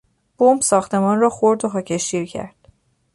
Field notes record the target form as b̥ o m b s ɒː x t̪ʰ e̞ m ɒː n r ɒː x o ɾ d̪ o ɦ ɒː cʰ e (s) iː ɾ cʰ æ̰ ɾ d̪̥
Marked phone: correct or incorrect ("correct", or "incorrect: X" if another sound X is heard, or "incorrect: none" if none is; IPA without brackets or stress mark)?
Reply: incorrect: ʃ